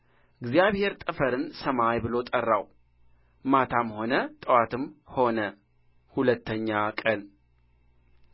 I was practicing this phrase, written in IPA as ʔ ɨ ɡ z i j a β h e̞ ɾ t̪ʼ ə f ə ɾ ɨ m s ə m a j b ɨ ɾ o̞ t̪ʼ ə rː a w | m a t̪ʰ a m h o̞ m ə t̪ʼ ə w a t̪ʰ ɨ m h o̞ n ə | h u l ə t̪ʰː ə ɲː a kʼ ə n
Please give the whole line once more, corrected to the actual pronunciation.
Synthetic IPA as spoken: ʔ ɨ ɡ z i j a β h e̞ ɾ t̪ʼ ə f ə ɾ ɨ n s ə m a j b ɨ l o̞ t̪ʼ ə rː a w | m a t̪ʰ a m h o̞ n ə t̪ʼ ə w a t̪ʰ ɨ m h o̞ n ə | h u l ə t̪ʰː ə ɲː a kʼ ə n